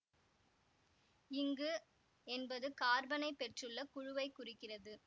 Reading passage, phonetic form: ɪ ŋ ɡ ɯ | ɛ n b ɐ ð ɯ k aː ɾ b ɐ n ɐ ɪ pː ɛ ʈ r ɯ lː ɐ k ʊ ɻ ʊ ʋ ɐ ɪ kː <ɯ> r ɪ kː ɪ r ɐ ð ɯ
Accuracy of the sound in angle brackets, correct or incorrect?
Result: incorrect